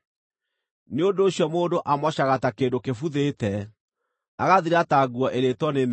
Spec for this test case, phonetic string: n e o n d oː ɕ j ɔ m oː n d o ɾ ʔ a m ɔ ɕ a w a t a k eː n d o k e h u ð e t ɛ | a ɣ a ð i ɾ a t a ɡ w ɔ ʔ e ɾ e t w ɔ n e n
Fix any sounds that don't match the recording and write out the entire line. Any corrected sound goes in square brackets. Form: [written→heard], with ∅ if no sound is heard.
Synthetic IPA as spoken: n e o n d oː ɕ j ɔ m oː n d o [ɾ→∅] ʔ a m ɔ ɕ a [w→ɣ] a t a k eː n d o k e [h→f] u ð e t ɛ | a ɣ a ð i ɾ a t a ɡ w ɔ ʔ e ɾ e t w ɔ n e n